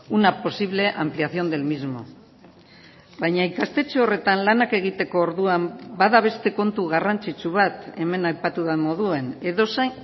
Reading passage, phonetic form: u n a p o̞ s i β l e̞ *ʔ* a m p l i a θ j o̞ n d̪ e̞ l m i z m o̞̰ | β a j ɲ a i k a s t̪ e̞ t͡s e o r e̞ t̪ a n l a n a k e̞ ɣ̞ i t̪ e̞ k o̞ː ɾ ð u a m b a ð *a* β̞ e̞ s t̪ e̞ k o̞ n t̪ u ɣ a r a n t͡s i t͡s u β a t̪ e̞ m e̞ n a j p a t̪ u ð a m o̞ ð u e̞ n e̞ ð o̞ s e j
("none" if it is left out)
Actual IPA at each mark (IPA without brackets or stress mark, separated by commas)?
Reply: ʔ, a